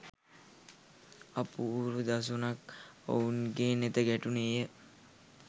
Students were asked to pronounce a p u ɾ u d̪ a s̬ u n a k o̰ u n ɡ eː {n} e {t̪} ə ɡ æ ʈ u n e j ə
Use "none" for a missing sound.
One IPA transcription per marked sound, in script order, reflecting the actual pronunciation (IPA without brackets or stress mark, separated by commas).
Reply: n, t̪